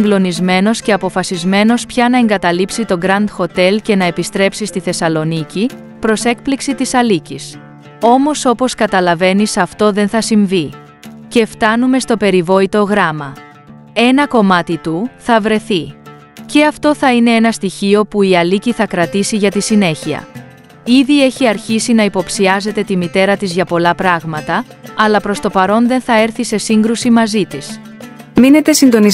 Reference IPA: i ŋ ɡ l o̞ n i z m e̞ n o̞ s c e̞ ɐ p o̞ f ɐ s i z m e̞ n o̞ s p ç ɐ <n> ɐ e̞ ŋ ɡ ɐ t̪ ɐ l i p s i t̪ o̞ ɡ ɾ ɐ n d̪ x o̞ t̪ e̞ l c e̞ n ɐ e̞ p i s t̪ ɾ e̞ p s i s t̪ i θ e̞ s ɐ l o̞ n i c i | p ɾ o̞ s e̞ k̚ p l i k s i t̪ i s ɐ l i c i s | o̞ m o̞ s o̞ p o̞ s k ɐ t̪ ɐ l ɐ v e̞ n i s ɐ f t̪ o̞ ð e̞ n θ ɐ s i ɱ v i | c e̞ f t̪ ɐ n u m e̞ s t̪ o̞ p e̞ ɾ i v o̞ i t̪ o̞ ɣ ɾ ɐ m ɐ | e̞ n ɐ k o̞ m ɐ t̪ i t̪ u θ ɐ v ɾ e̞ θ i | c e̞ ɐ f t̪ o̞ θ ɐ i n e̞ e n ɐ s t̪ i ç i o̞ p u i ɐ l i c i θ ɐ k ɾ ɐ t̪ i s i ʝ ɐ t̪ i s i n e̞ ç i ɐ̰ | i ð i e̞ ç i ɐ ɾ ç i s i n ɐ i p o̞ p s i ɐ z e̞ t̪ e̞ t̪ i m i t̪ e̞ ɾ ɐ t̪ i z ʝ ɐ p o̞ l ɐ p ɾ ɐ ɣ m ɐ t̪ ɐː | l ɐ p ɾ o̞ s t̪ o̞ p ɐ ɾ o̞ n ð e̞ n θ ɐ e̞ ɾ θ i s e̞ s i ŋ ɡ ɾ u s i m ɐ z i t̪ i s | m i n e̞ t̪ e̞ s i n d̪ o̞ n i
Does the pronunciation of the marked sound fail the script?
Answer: no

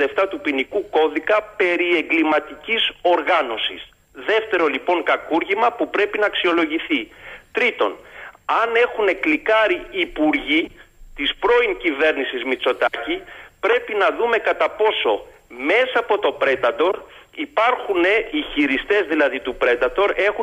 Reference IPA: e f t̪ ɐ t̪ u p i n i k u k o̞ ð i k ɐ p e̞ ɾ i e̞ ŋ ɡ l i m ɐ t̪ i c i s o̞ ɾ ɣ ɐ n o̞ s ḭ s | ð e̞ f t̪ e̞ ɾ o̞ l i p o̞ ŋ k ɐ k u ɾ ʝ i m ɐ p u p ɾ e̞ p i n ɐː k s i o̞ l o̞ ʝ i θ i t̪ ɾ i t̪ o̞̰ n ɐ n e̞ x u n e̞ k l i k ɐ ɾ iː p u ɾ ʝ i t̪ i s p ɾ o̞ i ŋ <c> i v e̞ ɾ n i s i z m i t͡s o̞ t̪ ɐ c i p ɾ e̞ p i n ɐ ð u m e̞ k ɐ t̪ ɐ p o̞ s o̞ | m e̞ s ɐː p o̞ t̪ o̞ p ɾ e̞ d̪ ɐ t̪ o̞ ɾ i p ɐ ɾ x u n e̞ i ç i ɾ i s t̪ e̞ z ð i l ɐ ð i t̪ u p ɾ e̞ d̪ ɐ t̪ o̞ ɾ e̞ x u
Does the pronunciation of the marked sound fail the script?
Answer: no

